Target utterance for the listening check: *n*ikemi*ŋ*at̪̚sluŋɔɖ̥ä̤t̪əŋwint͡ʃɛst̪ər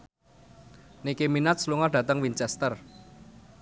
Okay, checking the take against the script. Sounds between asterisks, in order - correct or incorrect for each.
correct, incorrect

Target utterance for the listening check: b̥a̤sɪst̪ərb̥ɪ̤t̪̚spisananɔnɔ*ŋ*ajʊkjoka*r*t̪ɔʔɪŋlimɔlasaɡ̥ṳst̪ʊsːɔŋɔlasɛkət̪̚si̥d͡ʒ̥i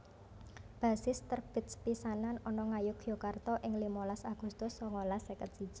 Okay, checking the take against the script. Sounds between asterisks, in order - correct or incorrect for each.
correct, correct

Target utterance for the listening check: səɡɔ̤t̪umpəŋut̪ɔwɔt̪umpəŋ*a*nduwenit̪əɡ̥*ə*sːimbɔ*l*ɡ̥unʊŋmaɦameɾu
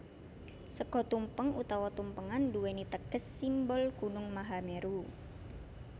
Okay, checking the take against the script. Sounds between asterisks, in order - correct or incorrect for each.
correct, correct, correct

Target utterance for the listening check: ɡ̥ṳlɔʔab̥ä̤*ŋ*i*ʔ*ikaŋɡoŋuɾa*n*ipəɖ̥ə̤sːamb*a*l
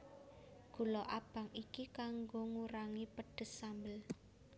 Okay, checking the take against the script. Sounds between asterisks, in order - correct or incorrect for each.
correct, incorrect, incorrect, incorrect

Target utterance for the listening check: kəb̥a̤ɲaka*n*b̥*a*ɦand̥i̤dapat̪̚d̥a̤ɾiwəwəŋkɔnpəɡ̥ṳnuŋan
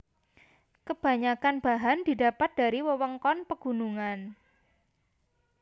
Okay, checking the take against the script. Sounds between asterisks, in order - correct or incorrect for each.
correct, correct

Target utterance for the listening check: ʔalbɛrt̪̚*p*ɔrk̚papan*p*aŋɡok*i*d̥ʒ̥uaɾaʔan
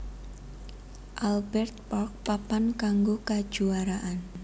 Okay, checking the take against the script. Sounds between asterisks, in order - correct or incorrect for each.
correct, incorrect, incorrect

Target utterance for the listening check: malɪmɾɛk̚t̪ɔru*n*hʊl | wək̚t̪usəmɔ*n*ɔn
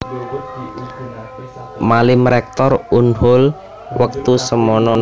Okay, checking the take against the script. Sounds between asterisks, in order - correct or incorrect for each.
correct, correct

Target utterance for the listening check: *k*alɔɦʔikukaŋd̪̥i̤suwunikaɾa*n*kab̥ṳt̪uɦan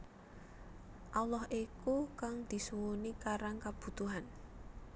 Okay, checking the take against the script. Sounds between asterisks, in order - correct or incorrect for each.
incorrect, incorrect

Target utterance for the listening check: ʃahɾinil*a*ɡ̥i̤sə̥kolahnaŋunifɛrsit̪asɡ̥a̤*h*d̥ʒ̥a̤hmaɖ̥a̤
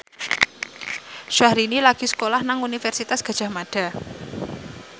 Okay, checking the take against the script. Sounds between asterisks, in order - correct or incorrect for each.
correct, incorrect

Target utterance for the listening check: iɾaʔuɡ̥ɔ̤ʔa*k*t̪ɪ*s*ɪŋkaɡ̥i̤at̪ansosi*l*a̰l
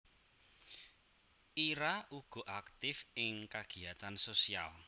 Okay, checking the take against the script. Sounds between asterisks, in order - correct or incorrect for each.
correct, incorrect, incorrect

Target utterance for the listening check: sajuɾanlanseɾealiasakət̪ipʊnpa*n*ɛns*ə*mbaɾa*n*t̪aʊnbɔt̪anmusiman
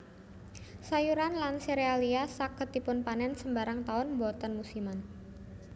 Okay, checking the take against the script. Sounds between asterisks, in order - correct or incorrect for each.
correct, correct, incorrect

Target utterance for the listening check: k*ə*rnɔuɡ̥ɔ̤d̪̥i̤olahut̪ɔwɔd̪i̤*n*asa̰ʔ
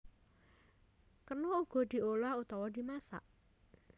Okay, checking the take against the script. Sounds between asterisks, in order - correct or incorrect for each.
correct, incorrect

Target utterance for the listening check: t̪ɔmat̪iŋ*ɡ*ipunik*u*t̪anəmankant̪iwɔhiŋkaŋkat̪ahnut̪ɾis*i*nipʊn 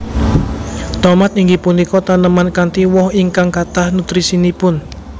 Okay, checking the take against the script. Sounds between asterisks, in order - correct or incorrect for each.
correct, incorrect, correct

